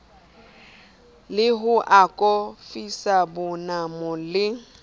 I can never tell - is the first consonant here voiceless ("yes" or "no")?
no